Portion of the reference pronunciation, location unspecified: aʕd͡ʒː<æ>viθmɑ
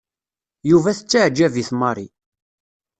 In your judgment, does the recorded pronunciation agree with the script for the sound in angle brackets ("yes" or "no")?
yes